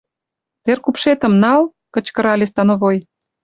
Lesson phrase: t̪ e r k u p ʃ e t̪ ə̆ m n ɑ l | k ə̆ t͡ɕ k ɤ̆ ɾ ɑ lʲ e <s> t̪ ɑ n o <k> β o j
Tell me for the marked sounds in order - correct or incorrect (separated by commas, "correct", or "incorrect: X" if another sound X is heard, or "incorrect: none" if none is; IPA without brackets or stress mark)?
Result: correct, incorrect: none